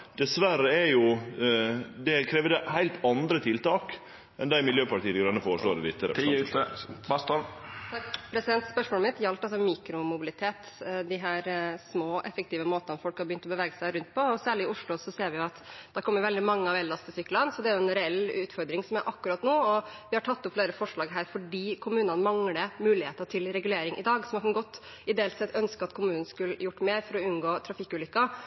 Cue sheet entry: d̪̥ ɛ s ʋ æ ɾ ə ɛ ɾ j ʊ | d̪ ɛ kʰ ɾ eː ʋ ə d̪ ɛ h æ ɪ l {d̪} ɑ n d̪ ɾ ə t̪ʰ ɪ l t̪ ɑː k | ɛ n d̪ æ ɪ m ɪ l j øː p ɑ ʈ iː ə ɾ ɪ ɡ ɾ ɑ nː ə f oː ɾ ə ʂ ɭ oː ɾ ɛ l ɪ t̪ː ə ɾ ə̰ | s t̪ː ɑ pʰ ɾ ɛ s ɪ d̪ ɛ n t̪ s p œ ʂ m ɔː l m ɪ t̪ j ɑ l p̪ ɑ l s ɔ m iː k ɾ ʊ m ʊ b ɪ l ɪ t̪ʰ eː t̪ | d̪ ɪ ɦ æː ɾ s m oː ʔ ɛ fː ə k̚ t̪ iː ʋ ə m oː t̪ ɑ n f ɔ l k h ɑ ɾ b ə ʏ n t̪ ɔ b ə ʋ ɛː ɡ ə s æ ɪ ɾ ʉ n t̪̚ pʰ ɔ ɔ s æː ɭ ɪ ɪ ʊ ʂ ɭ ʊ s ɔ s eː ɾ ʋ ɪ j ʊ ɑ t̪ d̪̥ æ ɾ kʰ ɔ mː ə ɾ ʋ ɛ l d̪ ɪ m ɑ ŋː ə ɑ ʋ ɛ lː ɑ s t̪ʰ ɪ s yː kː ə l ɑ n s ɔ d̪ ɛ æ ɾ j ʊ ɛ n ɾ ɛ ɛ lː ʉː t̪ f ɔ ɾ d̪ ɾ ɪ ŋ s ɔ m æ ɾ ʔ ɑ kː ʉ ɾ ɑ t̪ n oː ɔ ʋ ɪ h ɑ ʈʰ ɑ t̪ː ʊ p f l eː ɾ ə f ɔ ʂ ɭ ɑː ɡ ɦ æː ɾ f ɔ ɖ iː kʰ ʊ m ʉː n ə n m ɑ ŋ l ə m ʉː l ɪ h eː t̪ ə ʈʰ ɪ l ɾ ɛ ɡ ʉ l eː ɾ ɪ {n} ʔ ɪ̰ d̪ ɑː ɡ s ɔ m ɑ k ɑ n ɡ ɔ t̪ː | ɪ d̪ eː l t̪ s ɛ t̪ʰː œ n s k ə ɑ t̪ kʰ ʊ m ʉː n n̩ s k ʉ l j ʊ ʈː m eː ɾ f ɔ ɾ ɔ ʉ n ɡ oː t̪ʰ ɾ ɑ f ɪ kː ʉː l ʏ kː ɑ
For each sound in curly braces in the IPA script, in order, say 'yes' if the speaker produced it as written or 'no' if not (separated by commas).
no, no